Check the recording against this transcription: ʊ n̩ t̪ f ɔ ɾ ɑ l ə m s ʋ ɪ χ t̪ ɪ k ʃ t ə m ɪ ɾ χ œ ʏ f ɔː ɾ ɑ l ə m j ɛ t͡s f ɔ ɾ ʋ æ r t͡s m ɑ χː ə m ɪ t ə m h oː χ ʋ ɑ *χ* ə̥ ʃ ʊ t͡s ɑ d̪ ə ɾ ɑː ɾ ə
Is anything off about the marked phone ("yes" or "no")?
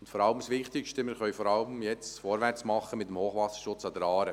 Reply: yes